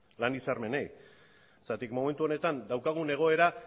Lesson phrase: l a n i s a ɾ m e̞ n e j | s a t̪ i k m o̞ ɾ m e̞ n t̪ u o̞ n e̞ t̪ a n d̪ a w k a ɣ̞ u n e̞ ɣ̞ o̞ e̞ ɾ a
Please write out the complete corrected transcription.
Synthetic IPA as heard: l a n i s a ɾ m e̞ n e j | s a t̪ i k m o̞ m e̞ n t̪ u o̞ n e̞ t̪ a n d̪ a w k a ɣ̞ u n e̞ ɣ̞ o̞ e̞ ɾ a

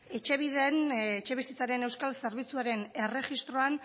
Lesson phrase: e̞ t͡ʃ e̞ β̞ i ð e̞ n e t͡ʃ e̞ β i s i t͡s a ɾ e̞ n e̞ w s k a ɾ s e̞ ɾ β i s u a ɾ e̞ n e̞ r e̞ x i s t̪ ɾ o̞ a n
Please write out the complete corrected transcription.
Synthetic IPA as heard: e̞ t͡ʃ e̞ β̞ i ð e̞ n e t͡ʃ e̞ β i s i t͡s a ɾ e̞ n e̞ w s k a l s e̞ ɾ β i t͡s u a ɾ e̞ n e̞ r e̞ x i s t̪ ɾ o̞ a n

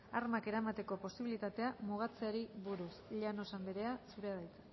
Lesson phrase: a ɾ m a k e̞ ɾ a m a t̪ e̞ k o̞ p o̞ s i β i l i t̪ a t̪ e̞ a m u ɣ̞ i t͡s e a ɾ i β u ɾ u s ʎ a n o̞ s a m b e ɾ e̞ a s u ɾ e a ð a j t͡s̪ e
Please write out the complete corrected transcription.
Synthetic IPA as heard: a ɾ m a k e̞ ɾ a m a t̪ e̞ k o̞ p o̞ s i β i l i t̪ a t̪ e̞ a m u ɣ̞ a t͡s e a ɾ i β u ɾ u s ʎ a n o̞ s a m b e ɾ e̞ a s u ɾ e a ð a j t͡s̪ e

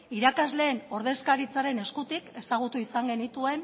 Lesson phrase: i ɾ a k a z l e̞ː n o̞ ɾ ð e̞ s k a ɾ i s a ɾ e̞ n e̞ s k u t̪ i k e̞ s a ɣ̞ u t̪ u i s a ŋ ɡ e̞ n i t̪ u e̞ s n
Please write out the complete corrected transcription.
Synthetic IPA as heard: i ɾ a k a z l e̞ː n o̞ ɾ ð e̞ s k a ɾ i t͡s a ɾ e̞ n e̞ s k u t̪ i k e̞ s a ɣ̞ u t̪ u i s a ŋ ɡ e̞ n i t̪ u e̞ n

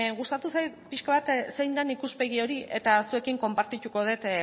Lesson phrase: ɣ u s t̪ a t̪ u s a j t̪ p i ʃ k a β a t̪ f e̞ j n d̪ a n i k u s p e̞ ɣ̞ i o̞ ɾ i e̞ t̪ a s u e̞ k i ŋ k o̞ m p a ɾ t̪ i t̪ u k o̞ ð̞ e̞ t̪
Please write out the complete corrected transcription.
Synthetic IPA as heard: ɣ u s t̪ a t̪ u s a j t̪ p i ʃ k a β a t̪ s e̞ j n d̪ a n i k u s p e̞ ɣ̞ i o̞ ɾ i e̞ t̪ a s u e̞ k i ŋ k o̞ m p a ɾ t̪ i t̪ u k o̞ ð̞ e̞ t̪

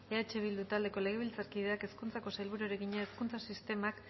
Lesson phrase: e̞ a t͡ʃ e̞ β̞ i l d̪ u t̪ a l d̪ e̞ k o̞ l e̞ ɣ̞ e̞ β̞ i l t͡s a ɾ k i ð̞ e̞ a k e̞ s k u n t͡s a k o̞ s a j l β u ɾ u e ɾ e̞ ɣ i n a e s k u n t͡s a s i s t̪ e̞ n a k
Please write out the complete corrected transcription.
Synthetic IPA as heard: e̞ a t͡ʃ e̞ β̞ i l d̪ u t̪ a l d̪ e̞ k o̞ l e̞ ɣ̞ e̞ β̞ i l t͡s a ɾ k i ð̞ e̞ a k e̞ s k u n t͡s a k o̞ s a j l β u ɾ u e ɾ e̞ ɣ i ɲ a e s k u n t͡s a s i s t̪ e̞ m a k

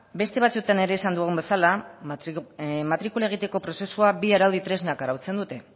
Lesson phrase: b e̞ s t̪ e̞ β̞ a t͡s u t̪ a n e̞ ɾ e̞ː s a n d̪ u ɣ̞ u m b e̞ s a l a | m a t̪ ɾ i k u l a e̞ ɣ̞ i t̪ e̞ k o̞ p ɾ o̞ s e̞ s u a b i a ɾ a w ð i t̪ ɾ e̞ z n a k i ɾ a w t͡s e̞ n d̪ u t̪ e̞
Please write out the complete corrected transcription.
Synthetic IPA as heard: b e̞ s t̪ e̞ β̞ a t͡s u t̪ a n e̞ ɾ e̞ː s a n d̪ u ɣ̞ u m b e̞ s a l a | m a t̪ ɾ i k u l a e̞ ɣ̞ i t̪ e̞ k o̞ p ɾ o̞ s e̞ s u a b i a ɾ a w ð i t̪ ɾ e̞ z n a k a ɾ a w t͡s e̞ n d̪ u t̪ e̞

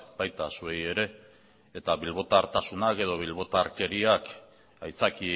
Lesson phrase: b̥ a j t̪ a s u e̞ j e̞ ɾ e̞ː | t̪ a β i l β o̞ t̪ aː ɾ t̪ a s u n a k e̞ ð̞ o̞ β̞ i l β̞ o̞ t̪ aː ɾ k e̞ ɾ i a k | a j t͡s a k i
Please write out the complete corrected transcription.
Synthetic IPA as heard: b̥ a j t̪ a s u e̞ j e̞ ɾ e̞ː | t̪ a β i l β o̞ t̪ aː ɾ t̪ a s u n a k e̞ ð̞ o̞ β̞ i l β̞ o̞ t̪ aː ɾ k e̞ ɾ i a k | a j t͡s a k i

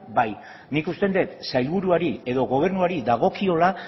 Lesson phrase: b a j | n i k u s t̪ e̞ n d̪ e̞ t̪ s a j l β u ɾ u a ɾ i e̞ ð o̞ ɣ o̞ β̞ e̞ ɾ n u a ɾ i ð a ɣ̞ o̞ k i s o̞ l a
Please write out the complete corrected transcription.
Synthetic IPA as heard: b a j | n i k u s t̪ e̞ n d̪ e̞ t̪ s a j l β u ɾ u a ɾ i e̞ ð o̞ ɣ o̞ β̞ e̞ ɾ n u a ɾ i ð a ɣ̞ o̞ k i o̞ l a

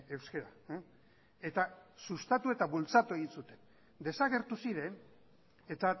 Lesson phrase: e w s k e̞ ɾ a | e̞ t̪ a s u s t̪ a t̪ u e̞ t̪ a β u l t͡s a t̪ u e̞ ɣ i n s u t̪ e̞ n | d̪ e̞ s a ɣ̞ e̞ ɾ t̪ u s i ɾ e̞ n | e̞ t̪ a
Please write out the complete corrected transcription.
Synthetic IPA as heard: e w s k e̞ ɾ a | e̞ t̪ a s u s t̪ a t̪ u e̞ t̪ a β u l t͡s a t̪ u e̞ ɣ i n s u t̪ e̞ n | d̪ e̞ s a ɣ̞ e̞ ɾ t̪ u s i ɾ e̞ n | e̞ t̪ a

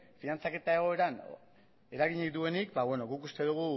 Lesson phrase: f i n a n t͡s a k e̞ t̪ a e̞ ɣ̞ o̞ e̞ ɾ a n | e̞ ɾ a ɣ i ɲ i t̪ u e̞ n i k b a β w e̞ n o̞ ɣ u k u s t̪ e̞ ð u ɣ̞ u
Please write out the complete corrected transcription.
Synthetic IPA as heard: f i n a n t͡s a k e̞ t̪ a e̞ ɣ̞ o̞ e̞ ɾ a n | e̞ ɾ a ɣ i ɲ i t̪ u e̞ n i k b a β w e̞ n o̞ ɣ u k u s t̪ e̞ ð u ɣ̞ u

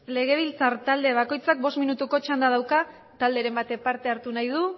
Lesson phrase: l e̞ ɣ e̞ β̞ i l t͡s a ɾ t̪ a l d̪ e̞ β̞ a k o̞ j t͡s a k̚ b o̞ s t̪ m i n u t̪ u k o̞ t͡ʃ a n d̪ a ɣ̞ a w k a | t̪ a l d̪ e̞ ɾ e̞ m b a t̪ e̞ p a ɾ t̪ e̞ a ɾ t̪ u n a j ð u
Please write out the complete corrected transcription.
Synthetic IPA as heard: l e̞ ɣ e̞ β̞ i l t͡s a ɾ t̪ a l d̪ e̞ β̞ a k o̞ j t͡s a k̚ b o̞ s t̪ m i n u t̪ u k o̞ t͡ʃ a n d̪ a ð̞ a w k a | t̪ a l d̪ e̞ ɾ e̞ m b a t̪ e̞ p a ɾ t̪ e̞ a ɾ t̪ u n a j ð u

